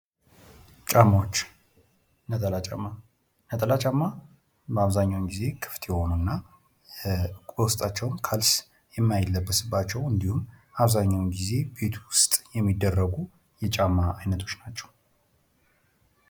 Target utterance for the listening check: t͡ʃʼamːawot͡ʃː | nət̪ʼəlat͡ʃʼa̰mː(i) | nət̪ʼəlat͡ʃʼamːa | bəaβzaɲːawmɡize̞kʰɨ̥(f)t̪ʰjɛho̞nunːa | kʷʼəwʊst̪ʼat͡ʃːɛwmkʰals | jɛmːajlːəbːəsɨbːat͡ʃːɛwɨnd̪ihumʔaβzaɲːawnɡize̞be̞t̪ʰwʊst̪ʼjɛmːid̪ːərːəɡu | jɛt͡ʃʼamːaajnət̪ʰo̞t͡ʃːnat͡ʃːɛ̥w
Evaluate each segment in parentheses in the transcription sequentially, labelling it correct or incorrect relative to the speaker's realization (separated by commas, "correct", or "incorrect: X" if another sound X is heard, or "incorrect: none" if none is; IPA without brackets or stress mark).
incorrect: a, correct